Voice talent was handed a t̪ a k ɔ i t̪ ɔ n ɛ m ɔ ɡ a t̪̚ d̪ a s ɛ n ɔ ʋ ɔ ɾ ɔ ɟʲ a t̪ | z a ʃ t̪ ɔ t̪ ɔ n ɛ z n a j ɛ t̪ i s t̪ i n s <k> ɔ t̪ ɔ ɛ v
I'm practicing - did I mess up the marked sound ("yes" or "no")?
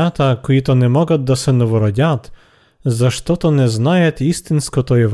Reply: no